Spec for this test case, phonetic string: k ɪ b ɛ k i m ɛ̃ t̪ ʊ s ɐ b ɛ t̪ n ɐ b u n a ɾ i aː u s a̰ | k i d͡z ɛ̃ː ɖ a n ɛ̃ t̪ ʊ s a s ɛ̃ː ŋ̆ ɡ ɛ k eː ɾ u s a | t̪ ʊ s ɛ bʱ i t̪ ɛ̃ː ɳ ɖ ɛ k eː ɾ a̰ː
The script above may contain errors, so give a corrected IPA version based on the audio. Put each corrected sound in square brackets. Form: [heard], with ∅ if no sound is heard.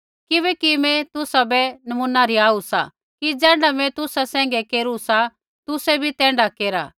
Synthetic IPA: k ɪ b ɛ k i m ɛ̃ t̪ ʊ s [a] b ɛ [∅] n ɐ [m] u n a ɾ i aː u s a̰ | k i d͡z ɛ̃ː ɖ a [m] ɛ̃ t̪ ʊ s a s ɛ̃ː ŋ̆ ɡ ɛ k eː ɾ u s a | t̪ ʊ s ɛ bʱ i t̪ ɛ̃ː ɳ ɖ [a] k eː ɾ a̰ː